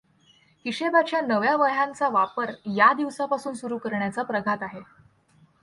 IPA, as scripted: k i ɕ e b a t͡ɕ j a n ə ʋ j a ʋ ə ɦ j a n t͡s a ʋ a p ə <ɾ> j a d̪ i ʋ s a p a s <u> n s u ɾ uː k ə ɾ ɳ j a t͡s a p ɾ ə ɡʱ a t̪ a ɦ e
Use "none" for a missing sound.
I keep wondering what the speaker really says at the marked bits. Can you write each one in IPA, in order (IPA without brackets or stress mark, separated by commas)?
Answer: ɾ, uː